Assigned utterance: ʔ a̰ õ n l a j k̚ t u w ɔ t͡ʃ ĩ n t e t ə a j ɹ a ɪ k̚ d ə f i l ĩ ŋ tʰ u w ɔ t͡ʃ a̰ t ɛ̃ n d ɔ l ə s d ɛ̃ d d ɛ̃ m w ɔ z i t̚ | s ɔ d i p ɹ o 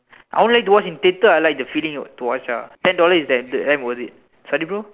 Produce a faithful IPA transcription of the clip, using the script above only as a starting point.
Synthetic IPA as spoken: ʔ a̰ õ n l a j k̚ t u w ɔ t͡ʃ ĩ n t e t ə a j l a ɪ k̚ d ə f i l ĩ ŋ t u w ɔ t͡ʃ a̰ t ɛ̃ n d ɔ l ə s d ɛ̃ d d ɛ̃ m w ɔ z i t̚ | s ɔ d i p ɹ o